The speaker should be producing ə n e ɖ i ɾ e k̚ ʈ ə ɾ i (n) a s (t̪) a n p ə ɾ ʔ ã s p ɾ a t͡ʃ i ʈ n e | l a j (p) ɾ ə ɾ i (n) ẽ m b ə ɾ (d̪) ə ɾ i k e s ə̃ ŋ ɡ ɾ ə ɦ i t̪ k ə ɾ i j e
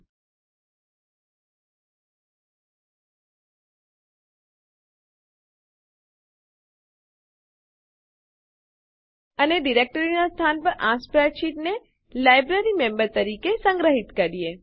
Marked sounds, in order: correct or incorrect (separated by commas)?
correct, incorrect, incorrect, incorrect, incorrect